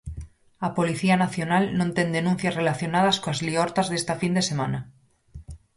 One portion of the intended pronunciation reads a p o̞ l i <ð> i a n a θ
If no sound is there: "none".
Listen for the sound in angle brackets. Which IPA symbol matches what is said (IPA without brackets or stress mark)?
θ